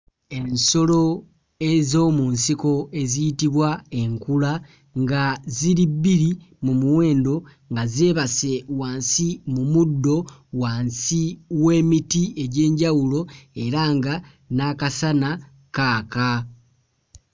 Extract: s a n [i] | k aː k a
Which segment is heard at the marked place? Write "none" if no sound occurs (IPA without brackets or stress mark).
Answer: a